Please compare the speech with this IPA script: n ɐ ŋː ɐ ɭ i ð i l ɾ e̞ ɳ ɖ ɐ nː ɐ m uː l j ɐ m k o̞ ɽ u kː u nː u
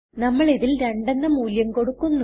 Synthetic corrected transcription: n ɐ mː ɐ ɭ i ð i l ɾ e̞ ɳ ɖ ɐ nː ɐ m uː l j ɐ m k o̞ ɽ u kː u nː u

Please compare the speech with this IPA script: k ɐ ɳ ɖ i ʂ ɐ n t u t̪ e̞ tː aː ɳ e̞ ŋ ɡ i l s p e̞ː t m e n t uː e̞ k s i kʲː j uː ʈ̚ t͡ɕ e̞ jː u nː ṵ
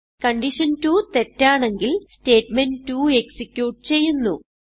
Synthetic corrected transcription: k ɐ ɳ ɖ i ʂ ɐ n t u t̪ e̞ tː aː ɳ e̞ ŋ ɡ i l s t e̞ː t m e n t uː e̞ k s i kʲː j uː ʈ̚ t͡ɕ e̞ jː u nː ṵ

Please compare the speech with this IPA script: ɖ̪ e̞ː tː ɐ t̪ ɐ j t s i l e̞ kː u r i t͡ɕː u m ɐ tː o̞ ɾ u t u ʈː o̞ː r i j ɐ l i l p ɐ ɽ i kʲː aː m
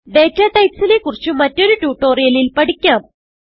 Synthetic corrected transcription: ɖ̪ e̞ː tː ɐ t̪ ɐ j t s i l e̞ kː u r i t͡ɕː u m ɐ tː o̞ ɾ u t uː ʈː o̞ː r i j ɐ l i l p ɐ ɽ i kʲː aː m

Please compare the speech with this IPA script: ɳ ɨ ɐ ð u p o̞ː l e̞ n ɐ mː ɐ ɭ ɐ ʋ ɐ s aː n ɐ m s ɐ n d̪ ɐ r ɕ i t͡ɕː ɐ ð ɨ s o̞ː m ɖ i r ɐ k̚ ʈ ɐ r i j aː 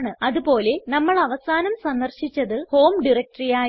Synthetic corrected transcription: ɳ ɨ ɐ ð u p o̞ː l e̞ n ɐ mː ɐ ɭ ɐ ʋ ɐ s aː n ɐ m s ɐ n d̪ ɐ r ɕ i t͡ɕː ɐ ð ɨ h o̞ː m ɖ i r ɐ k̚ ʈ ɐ r i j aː

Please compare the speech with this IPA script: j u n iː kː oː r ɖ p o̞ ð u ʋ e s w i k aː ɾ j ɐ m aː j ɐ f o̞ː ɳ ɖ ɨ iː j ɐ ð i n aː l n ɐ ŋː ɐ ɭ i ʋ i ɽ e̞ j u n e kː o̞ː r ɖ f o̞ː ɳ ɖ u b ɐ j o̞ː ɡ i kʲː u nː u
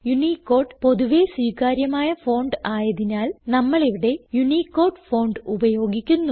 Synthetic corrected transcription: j u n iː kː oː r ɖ p o̞ ð u ʋ e s w iː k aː ɾ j ɐ m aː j ɐ f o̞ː ɳ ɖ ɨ aː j ɐ ð i n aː l n ɐ mː ɐ ɭ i ʋ i ɽ e̞ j u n i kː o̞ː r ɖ f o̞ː ɳ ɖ u b ɐ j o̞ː ɡ i kʲː u nː u

